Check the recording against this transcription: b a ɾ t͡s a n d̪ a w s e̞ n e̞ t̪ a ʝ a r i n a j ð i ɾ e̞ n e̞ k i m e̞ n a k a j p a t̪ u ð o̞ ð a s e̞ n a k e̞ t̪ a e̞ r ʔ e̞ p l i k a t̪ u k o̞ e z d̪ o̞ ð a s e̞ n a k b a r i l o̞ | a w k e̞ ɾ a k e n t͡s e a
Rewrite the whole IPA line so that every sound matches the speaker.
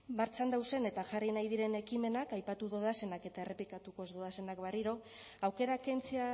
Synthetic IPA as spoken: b a ɾ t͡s a n d̪ a w s e̞ n e̞ t̪ a ʝ a r i n a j ð i ɾ e̞ n e̞ k i m e̞ n a k a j p a t̪ u ð o̞ ð a s e̞ n a k e̞ t̪ a e̞ r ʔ e̞ p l i k a t̪ u k o̞ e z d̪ o̞ ð a s e̞ n a k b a r i ɾ o̞ | a w k e̞ ɾ a k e n t͡s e a